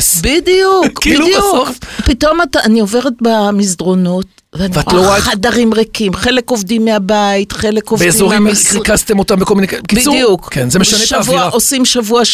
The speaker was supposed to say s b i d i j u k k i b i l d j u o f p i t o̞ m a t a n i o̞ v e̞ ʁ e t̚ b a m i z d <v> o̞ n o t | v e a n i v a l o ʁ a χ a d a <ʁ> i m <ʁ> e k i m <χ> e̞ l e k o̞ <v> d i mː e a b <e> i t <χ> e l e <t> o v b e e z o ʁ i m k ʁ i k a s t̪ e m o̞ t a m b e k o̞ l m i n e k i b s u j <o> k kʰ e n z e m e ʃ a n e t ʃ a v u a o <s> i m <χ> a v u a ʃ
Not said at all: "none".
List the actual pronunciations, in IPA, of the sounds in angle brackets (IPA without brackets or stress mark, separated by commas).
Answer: ʁ, ʁ, ʁ, χ, v, a, χ, k, u, s, ʃ